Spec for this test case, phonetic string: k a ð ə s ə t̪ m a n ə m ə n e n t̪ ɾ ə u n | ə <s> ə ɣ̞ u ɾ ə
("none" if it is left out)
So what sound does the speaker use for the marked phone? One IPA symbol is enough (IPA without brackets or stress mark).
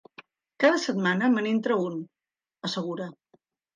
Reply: s